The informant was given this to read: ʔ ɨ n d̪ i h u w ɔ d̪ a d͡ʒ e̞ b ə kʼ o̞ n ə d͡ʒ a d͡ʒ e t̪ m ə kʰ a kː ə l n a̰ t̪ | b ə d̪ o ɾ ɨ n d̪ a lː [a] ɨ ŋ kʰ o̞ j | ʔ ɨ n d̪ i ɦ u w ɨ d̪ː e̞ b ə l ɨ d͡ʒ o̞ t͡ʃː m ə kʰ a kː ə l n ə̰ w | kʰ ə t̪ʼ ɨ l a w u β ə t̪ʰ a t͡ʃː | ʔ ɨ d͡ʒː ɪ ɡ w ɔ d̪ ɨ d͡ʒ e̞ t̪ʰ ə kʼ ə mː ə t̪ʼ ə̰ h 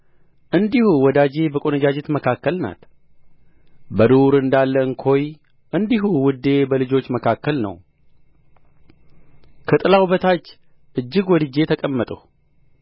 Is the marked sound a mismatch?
yes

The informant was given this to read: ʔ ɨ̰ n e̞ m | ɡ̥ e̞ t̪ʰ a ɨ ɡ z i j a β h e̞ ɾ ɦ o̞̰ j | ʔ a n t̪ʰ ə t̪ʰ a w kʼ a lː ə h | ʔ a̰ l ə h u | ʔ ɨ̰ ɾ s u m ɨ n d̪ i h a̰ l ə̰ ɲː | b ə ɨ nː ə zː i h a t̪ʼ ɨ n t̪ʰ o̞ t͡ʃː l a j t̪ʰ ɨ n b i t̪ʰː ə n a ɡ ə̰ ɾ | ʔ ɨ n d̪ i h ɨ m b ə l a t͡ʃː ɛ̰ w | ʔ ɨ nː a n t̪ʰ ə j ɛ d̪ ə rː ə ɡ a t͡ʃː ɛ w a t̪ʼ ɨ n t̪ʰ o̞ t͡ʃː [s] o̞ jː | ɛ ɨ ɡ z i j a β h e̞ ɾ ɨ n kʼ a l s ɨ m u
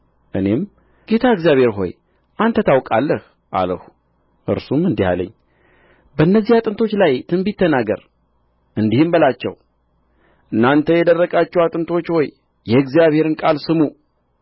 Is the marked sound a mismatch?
yes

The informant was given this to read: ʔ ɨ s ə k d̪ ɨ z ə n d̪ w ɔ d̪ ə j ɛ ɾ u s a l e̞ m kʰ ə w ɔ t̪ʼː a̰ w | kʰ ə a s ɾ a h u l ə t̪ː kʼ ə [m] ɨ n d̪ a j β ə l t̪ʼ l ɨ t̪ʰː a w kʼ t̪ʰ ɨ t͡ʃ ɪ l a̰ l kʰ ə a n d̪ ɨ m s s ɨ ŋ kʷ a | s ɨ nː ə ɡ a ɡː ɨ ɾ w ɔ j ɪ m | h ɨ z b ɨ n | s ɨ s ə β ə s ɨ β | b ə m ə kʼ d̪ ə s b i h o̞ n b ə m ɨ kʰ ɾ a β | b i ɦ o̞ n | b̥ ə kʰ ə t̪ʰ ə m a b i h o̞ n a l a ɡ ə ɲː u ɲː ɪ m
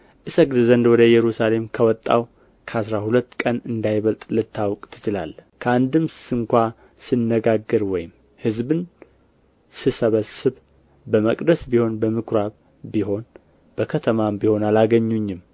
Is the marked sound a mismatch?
yes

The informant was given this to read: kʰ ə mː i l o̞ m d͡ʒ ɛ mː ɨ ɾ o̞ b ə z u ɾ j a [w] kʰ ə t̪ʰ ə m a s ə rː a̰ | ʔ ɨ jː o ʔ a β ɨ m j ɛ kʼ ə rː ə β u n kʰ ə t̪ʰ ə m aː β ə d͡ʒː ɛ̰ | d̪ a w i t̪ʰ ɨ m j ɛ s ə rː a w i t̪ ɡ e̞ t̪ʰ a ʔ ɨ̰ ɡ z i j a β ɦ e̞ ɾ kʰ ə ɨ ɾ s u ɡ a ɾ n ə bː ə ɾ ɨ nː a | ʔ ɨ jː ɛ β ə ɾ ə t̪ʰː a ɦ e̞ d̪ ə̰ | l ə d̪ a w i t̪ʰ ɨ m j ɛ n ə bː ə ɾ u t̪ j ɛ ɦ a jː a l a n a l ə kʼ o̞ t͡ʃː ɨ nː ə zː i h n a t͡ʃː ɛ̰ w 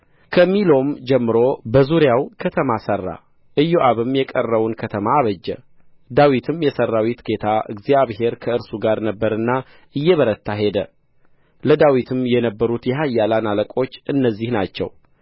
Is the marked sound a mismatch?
no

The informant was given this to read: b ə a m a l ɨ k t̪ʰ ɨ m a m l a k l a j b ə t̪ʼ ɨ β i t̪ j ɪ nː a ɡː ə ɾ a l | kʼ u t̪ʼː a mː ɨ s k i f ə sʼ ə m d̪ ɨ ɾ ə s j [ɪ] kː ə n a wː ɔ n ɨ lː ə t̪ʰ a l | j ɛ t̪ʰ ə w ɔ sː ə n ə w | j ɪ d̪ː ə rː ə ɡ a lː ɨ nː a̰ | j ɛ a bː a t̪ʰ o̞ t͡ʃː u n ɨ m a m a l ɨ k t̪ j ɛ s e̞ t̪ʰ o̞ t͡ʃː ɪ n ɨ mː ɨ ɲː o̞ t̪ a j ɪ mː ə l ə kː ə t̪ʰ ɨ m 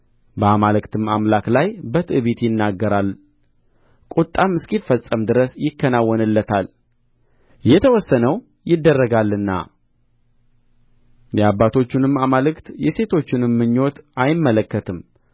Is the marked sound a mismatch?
no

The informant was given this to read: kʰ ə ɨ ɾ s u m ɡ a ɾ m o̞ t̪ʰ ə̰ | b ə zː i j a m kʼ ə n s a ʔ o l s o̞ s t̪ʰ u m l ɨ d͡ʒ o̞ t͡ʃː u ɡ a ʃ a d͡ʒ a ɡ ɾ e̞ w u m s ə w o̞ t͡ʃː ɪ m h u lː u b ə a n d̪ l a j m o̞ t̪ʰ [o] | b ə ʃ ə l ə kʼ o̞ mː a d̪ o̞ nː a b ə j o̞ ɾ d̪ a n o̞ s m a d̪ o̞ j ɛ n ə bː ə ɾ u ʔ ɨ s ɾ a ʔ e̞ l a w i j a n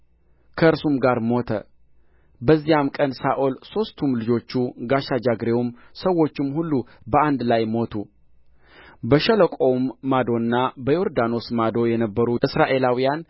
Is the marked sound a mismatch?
yes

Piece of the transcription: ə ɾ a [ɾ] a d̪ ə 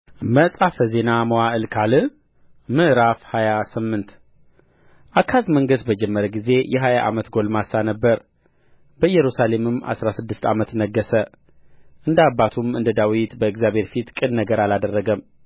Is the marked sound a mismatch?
yes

